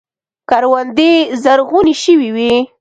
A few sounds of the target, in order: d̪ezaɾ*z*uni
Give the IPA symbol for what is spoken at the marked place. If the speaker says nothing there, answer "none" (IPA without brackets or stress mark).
ɣ